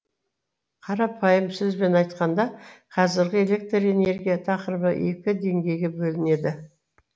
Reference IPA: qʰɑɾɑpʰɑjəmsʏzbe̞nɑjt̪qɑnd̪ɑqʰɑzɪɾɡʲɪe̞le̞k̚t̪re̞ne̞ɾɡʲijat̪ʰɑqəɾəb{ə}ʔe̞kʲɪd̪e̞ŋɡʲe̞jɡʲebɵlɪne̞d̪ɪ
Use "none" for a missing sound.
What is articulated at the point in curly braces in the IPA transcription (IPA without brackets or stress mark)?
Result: ə